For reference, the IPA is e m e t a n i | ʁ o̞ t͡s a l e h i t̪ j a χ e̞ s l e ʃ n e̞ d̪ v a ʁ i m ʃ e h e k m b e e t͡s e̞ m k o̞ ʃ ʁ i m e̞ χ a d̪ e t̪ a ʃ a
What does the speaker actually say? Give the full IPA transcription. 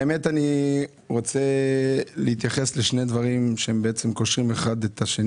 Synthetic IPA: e m e t a n i | ʁ o̞ t͡s e l e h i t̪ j a χ e̞ s l e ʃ n e̞ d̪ v a ʁ i m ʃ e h e m b e e t͡s e̞ m k o̞ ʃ ʁ i m e̞ χ a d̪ e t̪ a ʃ e